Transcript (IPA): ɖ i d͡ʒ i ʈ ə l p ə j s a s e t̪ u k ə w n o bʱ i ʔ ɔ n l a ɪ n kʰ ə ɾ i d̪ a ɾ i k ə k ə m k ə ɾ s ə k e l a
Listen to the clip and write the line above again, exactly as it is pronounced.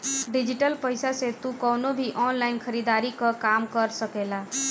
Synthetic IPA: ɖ i d͡ʒ i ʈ ə l p ə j s a s e t̪ u k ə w n o bʱ i ʔ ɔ n l a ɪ n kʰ ə ɾ i d̪ a ɾ i k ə k a m k ə ɾ s ə k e l a